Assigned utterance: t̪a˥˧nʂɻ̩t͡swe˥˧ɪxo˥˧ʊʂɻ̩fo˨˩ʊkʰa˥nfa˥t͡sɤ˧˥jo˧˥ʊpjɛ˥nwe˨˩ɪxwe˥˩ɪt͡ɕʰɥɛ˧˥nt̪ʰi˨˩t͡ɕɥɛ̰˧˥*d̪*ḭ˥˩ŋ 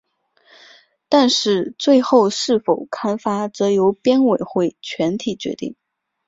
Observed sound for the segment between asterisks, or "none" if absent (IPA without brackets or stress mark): t̪